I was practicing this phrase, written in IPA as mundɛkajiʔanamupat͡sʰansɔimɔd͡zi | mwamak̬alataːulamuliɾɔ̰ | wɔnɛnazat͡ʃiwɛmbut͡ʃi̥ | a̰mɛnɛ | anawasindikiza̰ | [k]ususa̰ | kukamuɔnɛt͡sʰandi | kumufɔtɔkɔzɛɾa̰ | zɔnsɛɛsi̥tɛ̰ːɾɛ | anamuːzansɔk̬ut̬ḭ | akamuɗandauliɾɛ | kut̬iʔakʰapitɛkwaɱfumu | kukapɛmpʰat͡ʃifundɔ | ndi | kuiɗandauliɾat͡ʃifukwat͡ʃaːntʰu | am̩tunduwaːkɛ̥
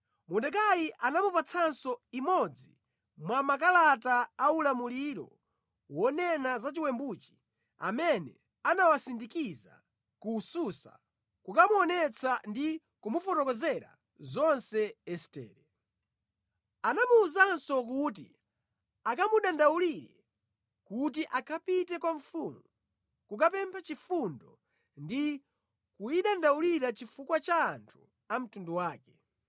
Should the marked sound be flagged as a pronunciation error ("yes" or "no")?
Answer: no